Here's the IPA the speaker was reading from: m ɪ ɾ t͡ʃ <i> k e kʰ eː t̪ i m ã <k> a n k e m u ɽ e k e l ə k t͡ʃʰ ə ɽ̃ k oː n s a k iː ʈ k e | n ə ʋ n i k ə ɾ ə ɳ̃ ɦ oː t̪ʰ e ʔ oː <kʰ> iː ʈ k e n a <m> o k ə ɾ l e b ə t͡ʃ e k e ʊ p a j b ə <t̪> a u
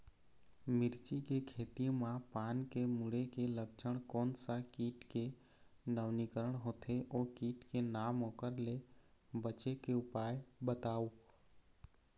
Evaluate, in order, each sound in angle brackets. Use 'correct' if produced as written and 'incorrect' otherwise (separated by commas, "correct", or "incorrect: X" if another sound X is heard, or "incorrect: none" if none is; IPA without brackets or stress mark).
correct, incorrect: p, incorrect: k, correct, correct